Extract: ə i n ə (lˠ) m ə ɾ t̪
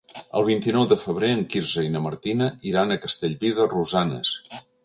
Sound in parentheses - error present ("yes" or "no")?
yes